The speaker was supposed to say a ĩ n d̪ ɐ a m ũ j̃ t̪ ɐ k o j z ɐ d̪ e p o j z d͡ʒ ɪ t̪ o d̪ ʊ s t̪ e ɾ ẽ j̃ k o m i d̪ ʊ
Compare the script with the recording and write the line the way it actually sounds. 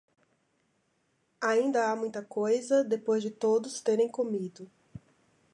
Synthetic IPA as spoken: a ĩ n d̪ ɐ a m ũ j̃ t̪ ɐ k o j z ɐ d̪ e p o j z d͡ʒ ɪ t̪ o d̪ ʊ s t̪ e ɾ ẽ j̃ k o m i d̪ ʊ